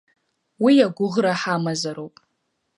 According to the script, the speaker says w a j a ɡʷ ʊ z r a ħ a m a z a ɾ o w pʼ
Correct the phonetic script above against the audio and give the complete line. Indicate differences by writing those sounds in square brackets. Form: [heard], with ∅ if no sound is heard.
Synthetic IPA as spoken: w [i] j a ɡʷ ʊ [ʁ] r a ħ a m a z a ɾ o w pʼ